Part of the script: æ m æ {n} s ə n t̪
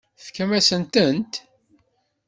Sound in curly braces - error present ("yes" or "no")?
yes